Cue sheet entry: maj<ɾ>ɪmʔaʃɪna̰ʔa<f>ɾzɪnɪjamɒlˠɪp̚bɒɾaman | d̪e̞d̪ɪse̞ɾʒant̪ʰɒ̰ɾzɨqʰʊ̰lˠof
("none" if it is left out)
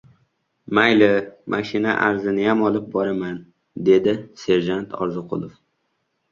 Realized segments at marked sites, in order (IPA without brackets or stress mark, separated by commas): l, none